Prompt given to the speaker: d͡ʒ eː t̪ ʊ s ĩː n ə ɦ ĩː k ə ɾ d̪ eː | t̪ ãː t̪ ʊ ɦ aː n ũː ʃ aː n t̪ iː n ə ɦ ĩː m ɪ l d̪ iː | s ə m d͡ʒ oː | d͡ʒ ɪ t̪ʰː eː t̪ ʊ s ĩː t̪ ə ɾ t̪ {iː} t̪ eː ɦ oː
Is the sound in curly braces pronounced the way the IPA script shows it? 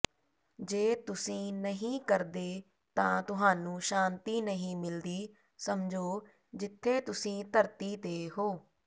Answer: yes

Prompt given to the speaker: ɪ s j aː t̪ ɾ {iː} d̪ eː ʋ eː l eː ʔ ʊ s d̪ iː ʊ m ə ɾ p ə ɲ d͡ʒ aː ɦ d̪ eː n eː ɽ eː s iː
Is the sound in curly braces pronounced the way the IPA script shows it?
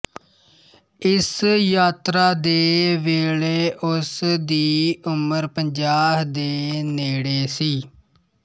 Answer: no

